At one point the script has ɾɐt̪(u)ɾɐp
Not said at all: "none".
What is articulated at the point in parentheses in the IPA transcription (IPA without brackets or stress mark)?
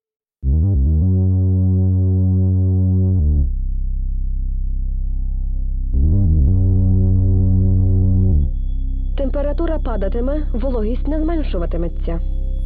u